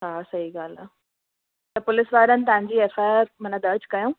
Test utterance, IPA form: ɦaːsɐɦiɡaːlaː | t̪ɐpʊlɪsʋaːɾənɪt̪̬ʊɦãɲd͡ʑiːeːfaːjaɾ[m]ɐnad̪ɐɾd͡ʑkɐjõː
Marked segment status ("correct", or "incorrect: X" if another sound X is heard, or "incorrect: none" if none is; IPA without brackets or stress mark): correct